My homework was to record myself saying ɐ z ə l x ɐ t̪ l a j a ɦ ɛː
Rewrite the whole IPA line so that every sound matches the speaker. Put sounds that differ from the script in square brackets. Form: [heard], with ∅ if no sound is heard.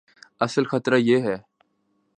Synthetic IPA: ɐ [s] ə l x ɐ t̪ [ɾ] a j [e] ɦ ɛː